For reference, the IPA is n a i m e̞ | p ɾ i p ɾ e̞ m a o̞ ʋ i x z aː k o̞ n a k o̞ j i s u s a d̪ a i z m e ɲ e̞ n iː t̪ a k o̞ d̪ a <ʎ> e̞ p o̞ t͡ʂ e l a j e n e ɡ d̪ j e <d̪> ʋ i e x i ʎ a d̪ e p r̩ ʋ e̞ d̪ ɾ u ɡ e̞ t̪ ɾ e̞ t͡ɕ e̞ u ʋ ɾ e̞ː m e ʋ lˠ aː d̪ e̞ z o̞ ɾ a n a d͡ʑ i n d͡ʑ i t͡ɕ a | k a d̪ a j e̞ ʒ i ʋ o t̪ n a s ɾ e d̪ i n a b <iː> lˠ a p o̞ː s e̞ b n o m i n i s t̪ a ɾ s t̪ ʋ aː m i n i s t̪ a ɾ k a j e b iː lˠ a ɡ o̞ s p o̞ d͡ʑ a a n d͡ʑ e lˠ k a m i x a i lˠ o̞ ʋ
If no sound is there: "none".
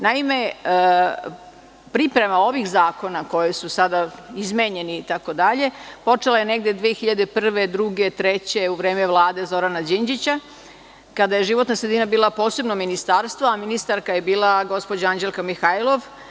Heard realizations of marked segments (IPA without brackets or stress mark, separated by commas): ʎ, d̪, iː